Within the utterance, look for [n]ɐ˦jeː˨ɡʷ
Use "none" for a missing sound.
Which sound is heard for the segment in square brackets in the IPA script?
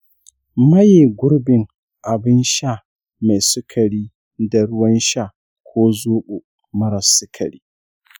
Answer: m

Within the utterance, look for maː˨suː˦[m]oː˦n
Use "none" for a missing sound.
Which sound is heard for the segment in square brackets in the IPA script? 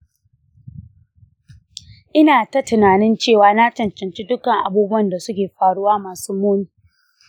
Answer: m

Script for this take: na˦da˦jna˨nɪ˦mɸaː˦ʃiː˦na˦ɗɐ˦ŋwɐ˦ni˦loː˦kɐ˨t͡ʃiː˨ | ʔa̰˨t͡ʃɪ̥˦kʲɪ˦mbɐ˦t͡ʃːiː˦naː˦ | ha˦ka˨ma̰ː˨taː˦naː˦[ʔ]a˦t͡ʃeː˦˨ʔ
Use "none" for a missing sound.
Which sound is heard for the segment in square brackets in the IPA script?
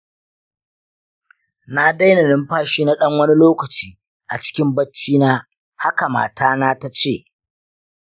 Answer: t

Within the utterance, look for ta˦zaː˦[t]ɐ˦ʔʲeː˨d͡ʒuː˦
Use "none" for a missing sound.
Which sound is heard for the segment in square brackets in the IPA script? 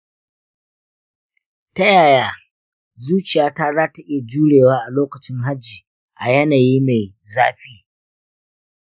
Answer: t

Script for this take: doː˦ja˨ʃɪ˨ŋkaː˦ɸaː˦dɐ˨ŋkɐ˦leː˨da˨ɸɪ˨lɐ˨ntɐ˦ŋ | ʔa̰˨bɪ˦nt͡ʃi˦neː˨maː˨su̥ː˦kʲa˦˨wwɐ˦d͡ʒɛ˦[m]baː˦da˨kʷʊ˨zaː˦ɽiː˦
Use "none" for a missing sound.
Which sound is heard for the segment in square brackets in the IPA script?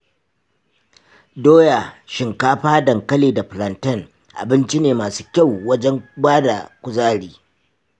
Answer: ŋ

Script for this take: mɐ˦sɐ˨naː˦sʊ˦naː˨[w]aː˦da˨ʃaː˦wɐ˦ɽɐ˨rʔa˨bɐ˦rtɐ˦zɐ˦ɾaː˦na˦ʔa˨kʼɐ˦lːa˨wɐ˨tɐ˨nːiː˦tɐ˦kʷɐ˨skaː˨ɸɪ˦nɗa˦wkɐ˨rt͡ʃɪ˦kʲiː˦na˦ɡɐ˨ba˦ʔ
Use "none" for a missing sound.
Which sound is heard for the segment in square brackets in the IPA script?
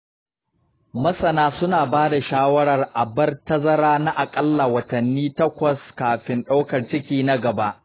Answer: b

